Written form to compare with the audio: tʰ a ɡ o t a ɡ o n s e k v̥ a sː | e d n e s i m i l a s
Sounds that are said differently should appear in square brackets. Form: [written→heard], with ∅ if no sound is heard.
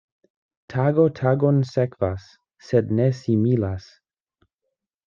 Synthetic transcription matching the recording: tʰ a ɡ o [t→tʰ] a ɡ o n s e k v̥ a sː | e d n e s i m i l a s